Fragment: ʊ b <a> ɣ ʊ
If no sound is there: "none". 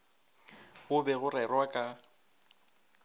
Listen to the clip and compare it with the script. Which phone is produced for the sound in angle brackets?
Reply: ɛ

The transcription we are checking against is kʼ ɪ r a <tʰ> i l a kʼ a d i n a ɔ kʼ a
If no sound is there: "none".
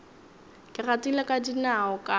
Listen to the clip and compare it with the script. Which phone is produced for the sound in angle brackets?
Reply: t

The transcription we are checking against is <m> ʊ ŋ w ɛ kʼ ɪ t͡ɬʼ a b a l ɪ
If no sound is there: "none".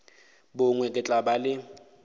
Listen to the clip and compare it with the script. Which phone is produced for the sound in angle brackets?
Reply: b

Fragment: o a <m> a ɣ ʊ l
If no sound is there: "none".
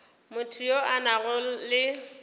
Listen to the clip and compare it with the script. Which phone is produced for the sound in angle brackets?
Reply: n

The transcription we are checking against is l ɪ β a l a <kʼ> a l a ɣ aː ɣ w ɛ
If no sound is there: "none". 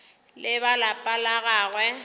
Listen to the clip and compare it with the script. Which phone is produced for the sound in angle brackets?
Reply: pʼ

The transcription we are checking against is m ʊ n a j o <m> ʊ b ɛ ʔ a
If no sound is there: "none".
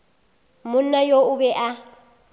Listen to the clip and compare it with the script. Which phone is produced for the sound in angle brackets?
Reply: none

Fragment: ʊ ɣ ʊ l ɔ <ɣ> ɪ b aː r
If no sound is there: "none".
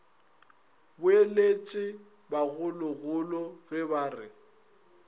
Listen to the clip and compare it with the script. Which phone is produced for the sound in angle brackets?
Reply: ɣ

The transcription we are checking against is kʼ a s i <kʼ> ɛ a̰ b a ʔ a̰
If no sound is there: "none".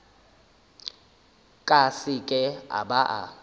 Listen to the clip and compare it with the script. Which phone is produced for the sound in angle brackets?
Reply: kʼ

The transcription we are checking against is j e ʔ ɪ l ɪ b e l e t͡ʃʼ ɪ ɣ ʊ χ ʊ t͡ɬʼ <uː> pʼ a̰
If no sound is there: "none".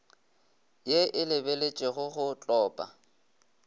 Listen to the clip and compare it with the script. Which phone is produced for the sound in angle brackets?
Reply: ɔː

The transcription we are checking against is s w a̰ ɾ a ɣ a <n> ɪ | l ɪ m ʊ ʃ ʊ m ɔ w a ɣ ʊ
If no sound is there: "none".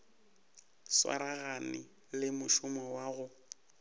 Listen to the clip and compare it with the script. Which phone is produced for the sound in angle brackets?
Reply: n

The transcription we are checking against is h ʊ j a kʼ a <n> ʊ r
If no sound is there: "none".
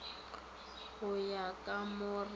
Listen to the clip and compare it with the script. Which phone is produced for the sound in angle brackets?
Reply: m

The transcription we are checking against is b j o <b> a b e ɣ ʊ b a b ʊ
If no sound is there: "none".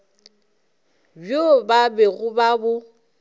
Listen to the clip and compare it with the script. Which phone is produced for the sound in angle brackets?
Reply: b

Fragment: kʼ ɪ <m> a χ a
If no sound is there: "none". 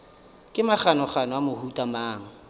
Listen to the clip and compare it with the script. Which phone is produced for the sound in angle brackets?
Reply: m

